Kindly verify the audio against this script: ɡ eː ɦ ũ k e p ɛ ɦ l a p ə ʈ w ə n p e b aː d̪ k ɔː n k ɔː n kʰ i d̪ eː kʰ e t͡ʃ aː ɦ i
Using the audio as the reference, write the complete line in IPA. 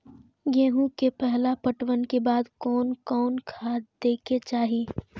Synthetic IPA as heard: ɡ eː ɦ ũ k e p ɛ ɦ l a p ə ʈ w ə n k e b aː d̪ k ɔː n k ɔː n kʰ a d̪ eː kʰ e t͡ʃ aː ɦ i